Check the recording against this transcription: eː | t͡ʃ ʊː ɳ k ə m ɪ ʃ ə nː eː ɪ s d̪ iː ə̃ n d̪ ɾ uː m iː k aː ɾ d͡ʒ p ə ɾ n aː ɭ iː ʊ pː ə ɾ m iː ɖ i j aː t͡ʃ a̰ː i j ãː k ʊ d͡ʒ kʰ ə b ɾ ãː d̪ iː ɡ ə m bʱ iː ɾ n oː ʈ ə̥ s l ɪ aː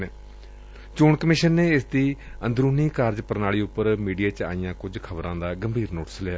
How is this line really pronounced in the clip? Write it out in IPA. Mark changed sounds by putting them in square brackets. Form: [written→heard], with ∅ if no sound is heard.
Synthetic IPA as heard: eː | t͡ʃ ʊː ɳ k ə m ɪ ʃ ə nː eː ɪ s d̪ iː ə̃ n d̪ ɾ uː [m→n] iː k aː ɾ d͡ʒ p ə ɾ n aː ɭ iː ʊ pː ə ɾ m iː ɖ i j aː t͡ʃ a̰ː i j ãː k ʊ d͡ʒ kʰ ə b ɾ ãː d̪ [iː→aː] ɡ ə m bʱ iː ɾ n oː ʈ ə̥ s l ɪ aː